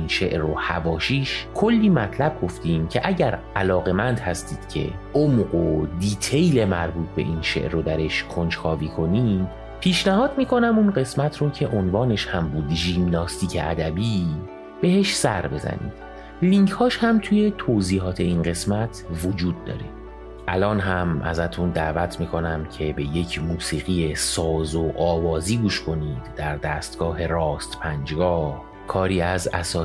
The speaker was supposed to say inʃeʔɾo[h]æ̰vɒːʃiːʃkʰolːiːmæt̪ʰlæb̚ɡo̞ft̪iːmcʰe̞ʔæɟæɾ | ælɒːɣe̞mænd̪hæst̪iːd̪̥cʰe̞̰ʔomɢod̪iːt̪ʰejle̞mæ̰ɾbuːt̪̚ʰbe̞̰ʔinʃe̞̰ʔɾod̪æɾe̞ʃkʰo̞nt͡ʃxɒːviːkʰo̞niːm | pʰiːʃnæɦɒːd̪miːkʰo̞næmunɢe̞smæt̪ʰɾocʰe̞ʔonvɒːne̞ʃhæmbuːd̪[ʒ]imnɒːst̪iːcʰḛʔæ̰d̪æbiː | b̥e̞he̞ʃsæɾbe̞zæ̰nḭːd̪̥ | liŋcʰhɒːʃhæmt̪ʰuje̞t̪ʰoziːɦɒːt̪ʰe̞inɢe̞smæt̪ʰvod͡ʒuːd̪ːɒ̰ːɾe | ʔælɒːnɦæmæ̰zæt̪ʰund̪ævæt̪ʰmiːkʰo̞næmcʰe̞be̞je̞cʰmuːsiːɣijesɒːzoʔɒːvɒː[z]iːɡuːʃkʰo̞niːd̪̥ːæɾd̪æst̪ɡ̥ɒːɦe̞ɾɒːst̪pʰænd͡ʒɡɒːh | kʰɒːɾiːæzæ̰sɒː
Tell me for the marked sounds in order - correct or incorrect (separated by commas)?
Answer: correct, correct, correct